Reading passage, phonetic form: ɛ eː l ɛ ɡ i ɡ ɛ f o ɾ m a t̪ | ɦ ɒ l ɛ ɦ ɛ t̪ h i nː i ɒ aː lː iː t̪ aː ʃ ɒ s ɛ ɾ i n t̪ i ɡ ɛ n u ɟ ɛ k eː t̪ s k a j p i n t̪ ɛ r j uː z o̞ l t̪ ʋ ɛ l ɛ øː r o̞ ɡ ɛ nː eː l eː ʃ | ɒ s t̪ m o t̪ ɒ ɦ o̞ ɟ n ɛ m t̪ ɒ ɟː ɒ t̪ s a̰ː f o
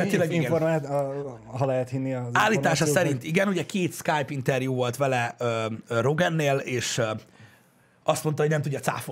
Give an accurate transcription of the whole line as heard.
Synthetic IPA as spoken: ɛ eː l ɛ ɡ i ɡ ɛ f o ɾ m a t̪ | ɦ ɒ l ɛ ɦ ɛ t̪ h i nː i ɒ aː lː iː t̪ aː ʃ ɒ s ɛ ɾ i n t̪ i ɡ ɛ n u ɟ ɛ k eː t̪ s k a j p i n t̪ ɛ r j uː v o̞ l t̪ ʋ ɛ l ɛ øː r o̞ ɡ ɛ nː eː l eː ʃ | ɒ s t̪ m o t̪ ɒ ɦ o̞ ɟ n ɛ m t̪ u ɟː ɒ t̪ s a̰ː f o